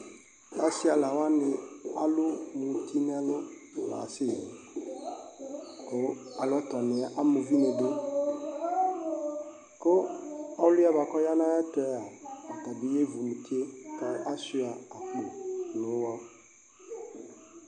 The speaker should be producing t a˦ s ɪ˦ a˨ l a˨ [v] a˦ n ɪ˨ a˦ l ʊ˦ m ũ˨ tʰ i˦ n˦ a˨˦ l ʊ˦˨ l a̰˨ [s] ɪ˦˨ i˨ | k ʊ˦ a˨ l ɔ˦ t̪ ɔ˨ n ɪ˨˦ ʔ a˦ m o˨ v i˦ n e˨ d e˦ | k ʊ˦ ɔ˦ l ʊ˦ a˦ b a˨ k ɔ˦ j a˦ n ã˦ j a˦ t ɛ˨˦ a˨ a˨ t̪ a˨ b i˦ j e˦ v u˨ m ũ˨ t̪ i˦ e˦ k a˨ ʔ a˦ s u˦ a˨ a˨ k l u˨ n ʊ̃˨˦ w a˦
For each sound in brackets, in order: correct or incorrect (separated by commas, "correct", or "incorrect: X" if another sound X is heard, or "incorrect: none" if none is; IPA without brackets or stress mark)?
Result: incorrect: w, correct